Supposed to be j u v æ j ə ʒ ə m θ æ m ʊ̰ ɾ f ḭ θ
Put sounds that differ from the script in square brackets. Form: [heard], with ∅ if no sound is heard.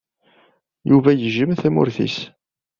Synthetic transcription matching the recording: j u v æ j ə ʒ ə m θ æ m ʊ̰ ɾ [θ] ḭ [s]